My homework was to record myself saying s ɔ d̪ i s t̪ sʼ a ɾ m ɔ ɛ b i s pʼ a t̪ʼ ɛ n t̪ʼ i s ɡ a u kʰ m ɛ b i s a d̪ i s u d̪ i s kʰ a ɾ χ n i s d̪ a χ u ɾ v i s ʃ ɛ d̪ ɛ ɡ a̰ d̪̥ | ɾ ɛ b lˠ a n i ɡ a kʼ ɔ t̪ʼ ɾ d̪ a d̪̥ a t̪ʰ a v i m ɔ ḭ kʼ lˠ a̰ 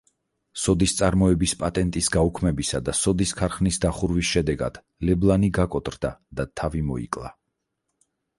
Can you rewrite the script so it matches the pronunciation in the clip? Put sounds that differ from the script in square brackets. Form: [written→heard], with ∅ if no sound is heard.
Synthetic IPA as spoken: s ɔ d̪ i s t̪ sʼ a ɾ m ɔ ɛ b i s pʼ a t̪ʼ ɛ n t̪ʼ i s ɡ a u kʰ m ɛ b i s a d̪ [i→a] s [u→ɔ] d̪ i s kʰ a ɾ χ n i s d̪ a χ u ɾ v i s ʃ ɛ d̪ ɛ ɡ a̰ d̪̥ | [ɾ→l] ɛ b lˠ a n i ɡ a kʼ ɔ t̪ʼ ɾ d̪ a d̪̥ a t̪ʰ a v i m ɔ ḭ kʼ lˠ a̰